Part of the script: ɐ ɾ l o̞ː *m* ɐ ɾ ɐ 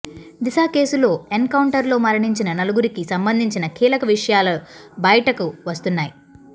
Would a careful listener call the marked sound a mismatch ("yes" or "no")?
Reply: no